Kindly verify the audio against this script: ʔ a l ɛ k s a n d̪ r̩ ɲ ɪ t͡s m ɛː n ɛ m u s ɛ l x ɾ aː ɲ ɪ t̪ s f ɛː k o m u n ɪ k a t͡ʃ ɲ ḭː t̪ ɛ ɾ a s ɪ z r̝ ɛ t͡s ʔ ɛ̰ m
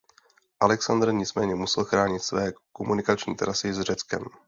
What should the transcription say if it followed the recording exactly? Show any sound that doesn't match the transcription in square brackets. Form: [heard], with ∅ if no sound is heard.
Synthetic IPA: ʔ a l ɛ k s a n d̪ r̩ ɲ ɪ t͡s m ɛː [ɲ] ɛ m u s ɛ l x ɾ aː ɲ ɪ t̪ s [v] ɛː k o m u n ɪ k a t͡ʃ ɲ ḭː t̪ ɛ ɾ a s ɪ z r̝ ɛ t͡s [k] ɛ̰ m

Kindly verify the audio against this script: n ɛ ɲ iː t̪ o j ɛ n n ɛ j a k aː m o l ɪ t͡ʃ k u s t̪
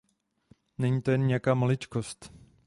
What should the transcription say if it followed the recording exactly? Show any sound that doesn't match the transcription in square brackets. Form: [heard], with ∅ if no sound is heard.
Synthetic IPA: n ɛ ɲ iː t̪ o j ɛ n [ɲ] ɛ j a k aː m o l ɪ t͡ʃ k [o] s t̪

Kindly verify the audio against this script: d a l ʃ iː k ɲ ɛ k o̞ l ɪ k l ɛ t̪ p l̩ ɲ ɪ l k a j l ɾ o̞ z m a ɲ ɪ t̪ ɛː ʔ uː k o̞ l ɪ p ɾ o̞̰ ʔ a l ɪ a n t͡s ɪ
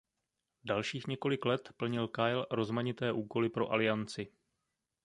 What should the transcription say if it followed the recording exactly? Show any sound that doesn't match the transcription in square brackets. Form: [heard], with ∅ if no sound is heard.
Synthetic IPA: d a l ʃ iː [x] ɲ ɛ k o̞ l ɪ k l ɛ t̪ p l̩ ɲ ɪ l k a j l ɾ o̞ z m a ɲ ɪ t̪ ɛː ʔ uː k o̞ l ɪ p ɾ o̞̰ ʔ a l ɪ a n t͡s ɪ

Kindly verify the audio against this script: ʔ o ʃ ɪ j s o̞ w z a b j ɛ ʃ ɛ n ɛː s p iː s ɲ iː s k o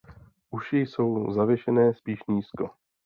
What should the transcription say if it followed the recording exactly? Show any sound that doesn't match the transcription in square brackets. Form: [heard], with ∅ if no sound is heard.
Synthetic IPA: ʔ [u] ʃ ɪ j s o̞ w z a [v] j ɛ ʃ ɛ n ɛː s p iː [ʃ] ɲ iː s k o

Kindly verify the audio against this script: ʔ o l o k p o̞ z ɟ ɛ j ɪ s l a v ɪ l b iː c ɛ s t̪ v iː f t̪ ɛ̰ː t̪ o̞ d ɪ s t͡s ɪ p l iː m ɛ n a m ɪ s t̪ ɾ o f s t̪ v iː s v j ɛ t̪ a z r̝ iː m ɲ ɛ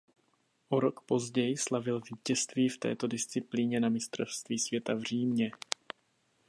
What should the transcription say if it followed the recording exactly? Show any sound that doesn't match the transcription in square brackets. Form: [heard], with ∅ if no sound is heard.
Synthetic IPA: ʔ o [ɾ] o k p o̞ z ɟ ɛ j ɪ s l a v ɪ l [v] iː c ɛ s t̪ v iː f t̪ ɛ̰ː t̪ o̞ d ɪ s t͡s ɪ p l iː [ɲ] ɛ n a m ɪ s t̪ ɾ o f s t̪ v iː s v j ɛ t̪ a [v] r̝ iː m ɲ ɛ

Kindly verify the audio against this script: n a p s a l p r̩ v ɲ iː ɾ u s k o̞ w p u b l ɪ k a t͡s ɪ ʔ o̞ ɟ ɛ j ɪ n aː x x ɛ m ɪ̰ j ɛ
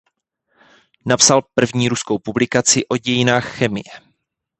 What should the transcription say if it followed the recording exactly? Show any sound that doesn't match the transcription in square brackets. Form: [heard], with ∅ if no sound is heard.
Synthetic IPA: n a p s a l p r̩ v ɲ iː ɾ u s k o̞ w p u b l ɪ k a t͡s ɪ ʔ o̞ ɟ ɛ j ɪ n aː x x ɛ m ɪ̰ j ɛ

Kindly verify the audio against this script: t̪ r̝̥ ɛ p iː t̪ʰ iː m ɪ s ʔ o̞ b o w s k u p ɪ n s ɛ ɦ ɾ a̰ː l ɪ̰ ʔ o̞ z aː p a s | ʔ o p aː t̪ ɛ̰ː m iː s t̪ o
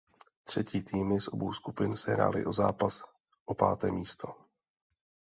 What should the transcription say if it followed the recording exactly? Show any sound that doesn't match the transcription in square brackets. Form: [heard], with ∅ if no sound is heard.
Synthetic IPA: t̪ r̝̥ ɛ [c] iː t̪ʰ iː m ɪ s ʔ o̞ b o w s k u p ɪ n s ɛ ɦ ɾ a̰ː l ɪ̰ ʔ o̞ z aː p a s | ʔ o p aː t̪ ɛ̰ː m iː s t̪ o

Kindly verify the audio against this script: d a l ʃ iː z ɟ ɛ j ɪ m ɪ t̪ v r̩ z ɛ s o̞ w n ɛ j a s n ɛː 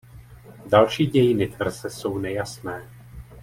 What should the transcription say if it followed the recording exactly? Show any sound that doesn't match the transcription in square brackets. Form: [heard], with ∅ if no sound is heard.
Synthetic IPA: d a l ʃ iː [∅] ɟ ɛ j ɪ [n] ɪ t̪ v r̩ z ɛ s o̞ w n ɛ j a s n ɛː

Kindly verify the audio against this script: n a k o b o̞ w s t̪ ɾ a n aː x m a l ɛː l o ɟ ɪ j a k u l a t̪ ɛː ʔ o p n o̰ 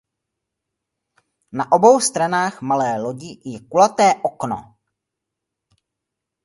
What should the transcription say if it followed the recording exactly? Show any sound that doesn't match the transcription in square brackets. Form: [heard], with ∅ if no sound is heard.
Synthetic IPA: n a [ʔ] o b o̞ w s t̪ ɾ a n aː x m a l ɛː l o ɟ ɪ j [ɛ] k u l a t̪ ɛː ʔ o [k] n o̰

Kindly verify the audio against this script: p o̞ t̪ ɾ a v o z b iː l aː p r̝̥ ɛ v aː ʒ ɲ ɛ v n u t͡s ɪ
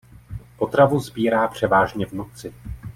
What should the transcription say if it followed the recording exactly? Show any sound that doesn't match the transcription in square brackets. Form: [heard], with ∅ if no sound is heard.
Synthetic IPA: p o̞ t̪ ɾ a v [u] z b iː [ɾ] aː p r̝̥ ɛ v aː ʒ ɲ ɛ v n u t͡s ɪ

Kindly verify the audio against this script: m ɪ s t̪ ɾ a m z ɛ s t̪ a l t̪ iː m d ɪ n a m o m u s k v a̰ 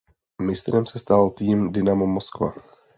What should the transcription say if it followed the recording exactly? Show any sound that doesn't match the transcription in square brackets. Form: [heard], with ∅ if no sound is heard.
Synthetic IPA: m ɪ s t̪ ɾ [ɛ] m [s] ɛ s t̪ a l t̪ iː m d ɪ n a m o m [o] s k v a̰

